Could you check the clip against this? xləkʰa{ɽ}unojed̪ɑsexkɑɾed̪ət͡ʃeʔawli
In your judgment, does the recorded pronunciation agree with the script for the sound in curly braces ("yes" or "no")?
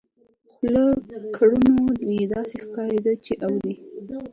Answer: yes